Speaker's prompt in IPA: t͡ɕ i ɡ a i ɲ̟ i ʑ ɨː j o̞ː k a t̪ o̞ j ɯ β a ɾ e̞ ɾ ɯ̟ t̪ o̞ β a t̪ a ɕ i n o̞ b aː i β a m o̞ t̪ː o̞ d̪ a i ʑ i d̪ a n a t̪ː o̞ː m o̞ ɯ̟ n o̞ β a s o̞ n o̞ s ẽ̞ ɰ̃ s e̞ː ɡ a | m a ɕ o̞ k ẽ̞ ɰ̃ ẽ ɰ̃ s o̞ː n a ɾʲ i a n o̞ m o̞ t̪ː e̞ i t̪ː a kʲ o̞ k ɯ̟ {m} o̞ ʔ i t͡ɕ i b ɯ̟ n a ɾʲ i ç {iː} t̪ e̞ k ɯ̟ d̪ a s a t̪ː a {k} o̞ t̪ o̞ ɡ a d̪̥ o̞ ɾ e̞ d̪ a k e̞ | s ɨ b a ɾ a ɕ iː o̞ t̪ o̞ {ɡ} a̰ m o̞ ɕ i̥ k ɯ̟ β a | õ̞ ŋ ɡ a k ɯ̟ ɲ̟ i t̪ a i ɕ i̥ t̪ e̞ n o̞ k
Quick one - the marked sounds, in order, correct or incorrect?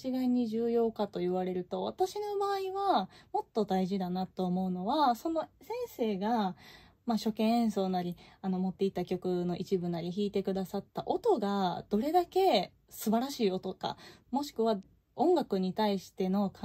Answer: incorrect: n, correct, incorrect: ʔ, incorrect: k

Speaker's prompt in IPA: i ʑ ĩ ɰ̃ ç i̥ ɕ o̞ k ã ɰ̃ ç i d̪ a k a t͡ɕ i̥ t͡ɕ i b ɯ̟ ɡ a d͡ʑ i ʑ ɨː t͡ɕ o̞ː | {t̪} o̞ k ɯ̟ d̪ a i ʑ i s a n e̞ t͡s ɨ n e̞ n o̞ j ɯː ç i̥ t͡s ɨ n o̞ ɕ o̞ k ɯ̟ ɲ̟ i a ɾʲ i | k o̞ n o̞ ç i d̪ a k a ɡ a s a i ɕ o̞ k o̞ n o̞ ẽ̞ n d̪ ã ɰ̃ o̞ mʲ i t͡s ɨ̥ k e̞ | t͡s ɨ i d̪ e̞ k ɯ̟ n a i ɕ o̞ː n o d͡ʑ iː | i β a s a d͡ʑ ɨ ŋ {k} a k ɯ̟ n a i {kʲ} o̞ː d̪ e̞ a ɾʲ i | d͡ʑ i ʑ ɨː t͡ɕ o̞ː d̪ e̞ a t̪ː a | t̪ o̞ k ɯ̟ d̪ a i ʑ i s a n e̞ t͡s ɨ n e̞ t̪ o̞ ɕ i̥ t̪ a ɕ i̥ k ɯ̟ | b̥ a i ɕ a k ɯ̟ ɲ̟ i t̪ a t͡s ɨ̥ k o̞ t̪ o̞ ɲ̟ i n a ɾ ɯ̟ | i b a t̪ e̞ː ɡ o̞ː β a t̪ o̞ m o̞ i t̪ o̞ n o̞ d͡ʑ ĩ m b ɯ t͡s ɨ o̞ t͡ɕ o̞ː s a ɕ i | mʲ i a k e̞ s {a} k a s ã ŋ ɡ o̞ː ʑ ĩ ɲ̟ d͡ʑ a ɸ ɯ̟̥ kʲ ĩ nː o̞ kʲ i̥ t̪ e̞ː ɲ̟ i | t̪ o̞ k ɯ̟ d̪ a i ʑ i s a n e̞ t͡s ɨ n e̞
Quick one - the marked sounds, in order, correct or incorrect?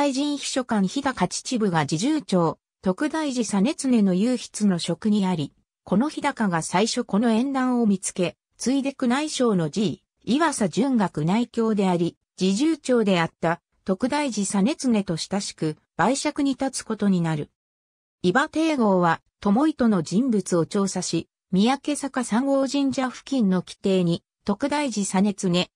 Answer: correct, incorrect: ɡ, correct, correct

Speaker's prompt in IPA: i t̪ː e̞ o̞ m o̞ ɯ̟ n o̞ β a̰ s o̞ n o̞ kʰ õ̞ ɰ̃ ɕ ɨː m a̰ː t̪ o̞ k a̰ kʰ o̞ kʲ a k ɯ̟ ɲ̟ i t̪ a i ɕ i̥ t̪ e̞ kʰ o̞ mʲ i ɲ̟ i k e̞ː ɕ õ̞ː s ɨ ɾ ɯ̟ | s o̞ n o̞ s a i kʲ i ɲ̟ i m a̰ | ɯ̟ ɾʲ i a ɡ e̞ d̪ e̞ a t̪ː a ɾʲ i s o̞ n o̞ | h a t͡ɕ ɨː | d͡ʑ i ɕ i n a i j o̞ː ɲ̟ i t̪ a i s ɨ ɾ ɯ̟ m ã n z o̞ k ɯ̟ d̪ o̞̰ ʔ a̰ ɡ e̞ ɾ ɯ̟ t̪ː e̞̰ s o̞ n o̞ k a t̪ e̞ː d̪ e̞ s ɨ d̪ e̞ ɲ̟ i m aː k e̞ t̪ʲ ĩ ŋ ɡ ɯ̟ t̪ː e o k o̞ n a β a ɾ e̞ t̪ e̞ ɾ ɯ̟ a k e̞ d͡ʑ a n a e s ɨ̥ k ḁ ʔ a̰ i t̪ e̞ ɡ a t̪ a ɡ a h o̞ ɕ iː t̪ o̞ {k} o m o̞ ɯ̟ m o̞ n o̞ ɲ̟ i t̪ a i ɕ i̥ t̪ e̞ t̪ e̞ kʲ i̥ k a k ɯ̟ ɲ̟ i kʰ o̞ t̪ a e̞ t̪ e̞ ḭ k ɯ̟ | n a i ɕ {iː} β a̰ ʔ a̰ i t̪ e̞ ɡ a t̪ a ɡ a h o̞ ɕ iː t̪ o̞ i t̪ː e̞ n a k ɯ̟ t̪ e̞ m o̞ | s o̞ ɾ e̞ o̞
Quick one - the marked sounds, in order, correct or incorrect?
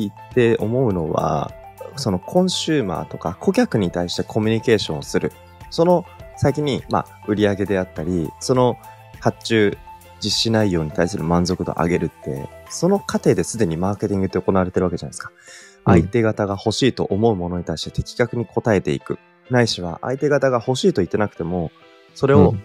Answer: incorrect: ʔ, incorrect: i

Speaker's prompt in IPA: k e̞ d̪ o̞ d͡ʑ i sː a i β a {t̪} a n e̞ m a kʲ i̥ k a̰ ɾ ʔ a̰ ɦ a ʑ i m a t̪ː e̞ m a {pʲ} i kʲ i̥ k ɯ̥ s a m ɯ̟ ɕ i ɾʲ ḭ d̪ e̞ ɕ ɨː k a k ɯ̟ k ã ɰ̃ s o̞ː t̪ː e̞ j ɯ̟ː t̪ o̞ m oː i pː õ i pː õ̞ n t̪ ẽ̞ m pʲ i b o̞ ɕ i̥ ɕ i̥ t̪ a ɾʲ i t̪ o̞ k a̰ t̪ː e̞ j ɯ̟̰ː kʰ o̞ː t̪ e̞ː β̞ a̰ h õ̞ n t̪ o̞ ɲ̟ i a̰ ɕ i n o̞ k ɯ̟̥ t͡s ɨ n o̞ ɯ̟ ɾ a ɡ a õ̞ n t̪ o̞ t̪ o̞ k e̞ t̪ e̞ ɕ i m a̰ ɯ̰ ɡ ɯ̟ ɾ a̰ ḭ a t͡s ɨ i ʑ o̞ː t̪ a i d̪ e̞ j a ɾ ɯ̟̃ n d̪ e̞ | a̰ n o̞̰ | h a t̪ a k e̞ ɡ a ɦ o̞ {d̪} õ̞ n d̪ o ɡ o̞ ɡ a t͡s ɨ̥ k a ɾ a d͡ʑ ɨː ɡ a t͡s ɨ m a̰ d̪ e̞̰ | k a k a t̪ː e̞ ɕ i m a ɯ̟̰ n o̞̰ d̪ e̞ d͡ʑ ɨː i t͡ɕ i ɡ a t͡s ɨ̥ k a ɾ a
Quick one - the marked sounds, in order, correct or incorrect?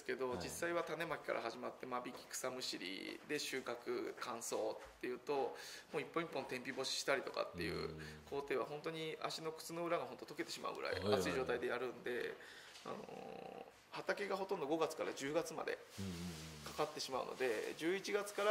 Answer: correct, incorrect: bʲ, incorrect: t̪

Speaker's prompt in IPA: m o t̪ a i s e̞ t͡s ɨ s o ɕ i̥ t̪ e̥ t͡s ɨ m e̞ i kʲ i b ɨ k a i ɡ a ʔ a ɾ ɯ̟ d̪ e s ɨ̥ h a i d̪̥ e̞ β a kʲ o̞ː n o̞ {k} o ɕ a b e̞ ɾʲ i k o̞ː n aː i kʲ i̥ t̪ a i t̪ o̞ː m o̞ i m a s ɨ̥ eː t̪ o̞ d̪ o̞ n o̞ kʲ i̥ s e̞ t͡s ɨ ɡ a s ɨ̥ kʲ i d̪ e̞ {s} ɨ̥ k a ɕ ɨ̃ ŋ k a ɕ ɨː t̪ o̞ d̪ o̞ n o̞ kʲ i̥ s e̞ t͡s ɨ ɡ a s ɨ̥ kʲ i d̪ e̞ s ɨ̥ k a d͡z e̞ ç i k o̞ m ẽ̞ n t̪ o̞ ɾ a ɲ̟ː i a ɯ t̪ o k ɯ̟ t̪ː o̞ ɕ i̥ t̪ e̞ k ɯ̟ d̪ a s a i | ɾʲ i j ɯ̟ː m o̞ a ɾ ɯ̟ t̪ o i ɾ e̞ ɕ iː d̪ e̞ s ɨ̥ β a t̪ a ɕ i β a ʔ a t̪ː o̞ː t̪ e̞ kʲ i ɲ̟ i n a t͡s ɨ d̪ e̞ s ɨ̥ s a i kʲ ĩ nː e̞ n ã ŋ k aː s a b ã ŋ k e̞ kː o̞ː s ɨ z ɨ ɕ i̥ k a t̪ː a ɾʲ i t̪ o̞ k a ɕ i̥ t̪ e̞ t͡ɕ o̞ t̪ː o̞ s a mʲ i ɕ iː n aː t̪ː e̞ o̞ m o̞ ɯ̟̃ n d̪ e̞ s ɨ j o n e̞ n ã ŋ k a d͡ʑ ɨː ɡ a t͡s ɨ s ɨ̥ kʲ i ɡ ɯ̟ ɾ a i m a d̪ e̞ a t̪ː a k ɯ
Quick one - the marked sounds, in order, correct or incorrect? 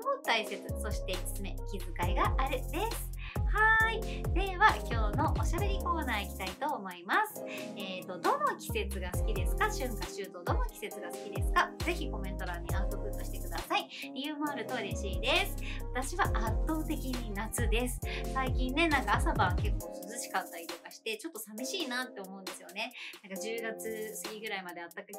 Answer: incorrect: ʔ, correct

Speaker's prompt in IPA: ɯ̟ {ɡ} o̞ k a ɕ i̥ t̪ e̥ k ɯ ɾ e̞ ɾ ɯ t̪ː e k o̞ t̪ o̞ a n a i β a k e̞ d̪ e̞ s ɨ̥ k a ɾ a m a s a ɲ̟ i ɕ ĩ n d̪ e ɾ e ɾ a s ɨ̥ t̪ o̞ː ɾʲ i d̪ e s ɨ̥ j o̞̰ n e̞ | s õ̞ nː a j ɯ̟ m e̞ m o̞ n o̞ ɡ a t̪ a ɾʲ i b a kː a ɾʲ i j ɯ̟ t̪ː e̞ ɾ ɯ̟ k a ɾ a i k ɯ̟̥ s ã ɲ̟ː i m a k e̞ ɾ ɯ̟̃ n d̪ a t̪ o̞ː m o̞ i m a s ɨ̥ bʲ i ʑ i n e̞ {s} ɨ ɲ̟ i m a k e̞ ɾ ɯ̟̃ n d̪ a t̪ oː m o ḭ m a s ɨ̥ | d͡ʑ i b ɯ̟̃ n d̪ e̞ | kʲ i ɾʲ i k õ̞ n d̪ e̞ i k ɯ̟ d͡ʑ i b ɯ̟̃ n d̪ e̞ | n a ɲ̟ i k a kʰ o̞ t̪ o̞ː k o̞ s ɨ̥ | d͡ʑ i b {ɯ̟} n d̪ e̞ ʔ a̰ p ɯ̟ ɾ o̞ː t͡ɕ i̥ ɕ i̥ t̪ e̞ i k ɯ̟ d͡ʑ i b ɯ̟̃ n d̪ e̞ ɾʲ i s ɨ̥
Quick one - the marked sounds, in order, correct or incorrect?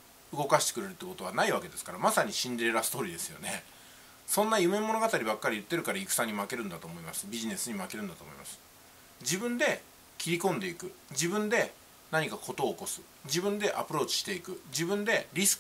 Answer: correct, correct, incorrect: ɯ̟̃

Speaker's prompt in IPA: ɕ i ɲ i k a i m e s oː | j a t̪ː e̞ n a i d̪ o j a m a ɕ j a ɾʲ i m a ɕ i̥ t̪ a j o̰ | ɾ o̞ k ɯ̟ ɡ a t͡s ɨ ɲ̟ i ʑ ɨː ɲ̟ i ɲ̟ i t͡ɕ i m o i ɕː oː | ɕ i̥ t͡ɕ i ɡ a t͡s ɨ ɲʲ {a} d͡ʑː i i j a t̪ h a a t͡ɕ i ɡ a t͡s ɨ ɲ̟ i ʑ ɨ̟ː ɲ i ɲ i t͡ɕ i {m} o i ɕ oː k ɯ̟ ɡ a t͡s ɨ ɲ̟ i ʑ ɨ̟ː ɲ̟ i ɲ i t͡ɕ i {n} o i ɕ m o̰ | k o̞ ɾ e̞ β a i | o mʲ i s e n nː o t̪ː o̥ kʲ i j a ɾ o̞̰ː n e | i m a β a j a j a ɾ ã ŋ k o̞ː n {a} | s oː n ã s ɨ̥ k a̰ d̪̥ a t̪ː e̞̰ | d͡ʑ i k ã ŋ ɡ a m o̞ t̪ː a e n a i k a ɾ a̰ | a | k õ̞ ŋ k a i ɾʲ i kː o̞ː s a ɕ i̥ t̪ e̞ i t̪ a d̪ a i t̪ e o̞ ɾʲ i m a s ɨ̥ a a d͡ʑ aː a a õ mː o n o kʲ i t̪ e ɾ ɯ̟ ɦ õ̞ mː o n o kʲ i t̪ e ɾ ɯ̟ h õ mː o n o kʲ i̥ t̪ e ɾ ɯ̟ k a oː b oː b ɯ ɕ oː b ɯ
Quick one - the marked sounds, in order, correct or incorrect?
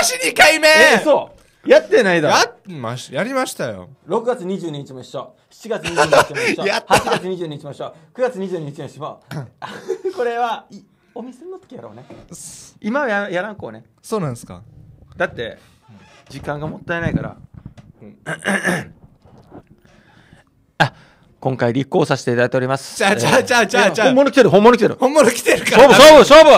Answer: incorrect: i, correct, incorrect: m, incorrect: e

